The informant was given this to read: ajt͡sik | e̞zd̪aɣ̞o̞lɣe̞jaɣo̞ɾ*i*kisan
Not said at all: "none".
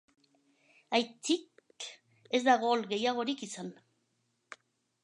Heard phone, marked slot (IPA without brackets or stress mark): i